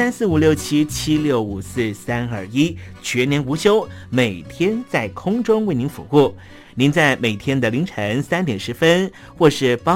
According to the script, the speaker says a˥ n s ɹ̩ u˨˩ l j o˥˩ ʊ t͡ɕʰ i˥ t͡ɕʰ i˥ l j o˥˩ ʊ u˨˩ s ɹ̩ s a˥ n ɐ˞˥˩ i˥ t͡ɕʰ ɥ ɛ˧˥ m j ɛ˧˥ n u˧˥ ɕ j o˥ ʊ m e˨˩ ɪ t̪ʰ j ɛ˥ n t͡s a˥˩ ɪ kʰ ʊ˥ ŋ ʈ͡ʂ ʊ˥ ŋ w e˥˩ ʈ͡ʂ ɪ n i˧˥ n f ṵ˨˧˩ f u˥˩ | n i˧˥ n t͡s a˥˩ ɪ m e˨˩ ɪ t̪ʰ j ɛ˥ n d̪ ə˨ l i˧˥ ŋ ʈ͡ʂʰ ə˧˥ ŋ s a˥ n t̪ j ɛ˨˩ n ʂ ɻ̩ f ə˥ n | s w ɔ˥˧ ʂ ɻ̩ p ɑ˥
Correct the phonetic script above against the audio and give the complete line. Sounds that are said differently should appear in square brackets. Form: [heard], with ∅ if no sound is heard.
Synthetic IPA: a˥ n s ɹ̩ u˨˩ l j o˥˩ ʊ t͡ɕʰ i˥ t͡ɕʰ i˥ l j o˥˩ ʊ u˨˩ s ɹ̩ s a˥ n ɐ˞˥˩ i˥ t͡ɕʰ ɥ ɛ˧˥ [n] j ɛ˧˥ n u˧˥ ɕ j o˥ ʊ m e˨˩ ɪ t̪ʰ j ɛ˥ n t͡s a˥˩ ɪ kʰ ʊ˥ ŋ ʈ͡ʂ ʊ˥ ŋ w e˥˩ [∅] ɪ n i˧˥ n f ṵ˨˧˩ [x] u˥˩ | n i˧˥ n t͡s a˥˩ ɪ m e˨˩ ɪ t̪ʰ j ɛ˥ n d̪ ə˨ l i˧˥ ŋ ʈ͡ʂʰ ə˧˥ ŋ s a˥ n t̪ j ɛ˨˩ n ʂ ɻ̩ f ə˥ n | [x] w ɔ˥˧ ʂ ɻ̩ p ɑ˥